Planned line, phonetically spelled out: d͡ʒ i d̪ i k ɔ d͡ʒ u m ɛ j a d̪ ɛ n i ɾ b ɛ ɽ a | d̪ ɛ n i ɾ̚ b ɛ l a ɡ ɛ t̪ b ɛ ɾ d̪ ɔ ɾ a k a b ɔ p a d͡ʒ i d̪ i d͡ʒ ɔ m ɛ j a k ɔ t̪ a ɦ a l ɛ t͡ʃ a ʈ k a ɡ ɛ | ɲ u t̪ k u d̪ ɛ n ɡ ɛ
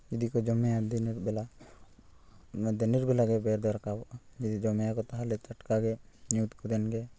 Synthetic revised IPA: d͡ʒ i d̪ i k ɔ d͡ʒ ɔ m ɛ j a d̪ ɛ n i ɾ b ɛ l a | d̪ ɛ n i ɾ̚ b ɛ l a ɡ ɛ b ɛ ɾ d̪ ɔ ɾ a k a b ɔ ʔ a d͡ʒ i d̪ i d͡ʒ ɔ m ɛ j a k ɔ t̪ a ɦ a l ɛ t͡ʃ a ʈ k a ɡ ɛ | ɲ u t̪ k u d̪ ɛ n ɡ ɛ